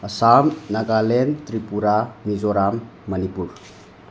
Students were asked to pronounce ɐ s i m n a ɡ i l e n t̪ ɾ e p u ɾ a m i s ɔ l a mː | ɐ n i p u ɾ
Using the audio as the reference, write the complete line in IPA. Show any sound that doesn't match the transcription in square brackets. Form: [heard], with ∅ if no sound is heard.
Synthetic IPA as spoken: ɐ s [a] m n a ɡ [a] l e n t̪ ɾ [i] p u ɾ a m i [z] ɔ [ɾ] a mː | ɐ n i p u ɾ